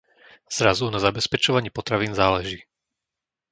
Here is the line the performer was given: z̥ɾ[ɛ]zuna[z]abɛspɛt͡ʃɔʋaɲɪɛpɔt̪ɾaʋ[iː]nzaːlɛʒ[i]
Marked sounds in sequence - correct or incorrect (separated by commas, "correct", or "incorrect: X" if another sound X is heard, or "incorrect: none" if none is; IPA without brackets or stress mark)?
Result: incorrect: a, correct, correct, incorrect: iː